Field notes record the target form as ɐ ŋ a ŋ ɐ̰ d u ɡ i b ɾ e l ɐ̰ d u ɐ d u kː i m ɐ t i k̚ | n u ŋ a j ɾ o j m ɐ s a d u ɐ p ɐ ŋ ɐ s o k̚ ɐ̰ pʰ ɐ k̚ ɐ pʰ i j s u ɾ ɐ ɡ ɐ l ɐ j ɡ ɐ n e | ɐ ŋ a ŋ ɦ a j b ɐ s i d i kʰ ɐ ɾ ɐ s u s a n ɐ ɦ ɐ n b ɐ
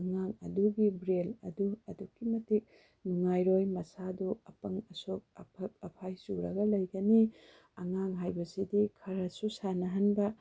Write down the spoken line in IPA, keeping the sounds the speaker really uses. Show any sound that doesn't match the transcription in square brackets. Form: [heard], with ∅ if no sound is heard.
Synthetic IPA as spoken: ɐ ŋ a ŋ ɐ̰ d u ɡ i b ɾ e l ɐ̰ d u ɐ d u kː i m ɐ t i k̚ | n u ŋ a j ɾ o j m ɐ s a d u ɐ p ɐ ŋ ɐ s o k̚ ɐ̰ pʰ ɐ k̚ ɐ pʰ [a] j s u ɾ ɐ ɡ ɐ l ɐ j ɡ ɐ n [i] | ɐ ŋ a ŋ ɦ a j b ɐ s i d i kʰ ɐ ɾ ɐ s u s a n ɐ ɦ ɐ n b ɐ